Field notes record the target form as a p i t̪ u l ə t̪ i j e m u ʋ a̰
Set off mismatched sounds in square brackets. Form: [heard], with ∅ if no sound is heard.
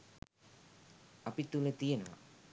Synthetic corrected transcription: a p i t̪ u l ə t̪ i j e [n] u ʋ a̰